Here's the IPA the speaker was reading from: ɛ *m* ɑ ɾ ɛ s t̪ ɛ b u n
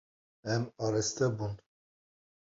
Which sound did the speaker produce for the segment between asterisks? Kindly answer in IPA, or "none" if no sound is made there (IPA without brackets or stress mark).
m